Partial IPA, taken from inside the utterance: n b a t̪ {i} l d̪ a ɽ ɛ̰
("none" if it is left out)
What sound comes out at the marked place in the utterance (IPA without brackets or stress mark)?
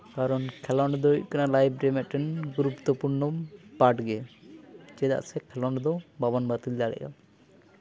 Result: i